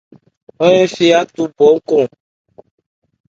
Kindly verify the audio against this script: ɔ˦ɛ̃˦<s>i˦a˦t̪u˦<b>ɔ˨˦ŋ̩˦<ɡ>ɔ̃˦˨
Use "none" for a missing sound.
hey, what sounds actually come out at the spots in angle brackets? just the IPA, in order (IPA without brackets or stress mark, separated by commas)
f, b, k